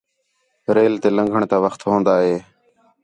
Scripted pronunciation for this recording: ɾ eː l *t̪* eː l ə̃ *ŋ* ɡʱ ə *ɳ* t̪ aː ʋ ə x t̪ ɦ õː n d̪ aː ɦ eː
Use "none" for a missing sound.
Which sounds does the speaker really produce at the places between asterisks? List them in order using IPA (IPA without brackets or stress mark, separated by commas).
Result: t̪, ŋ, ɳ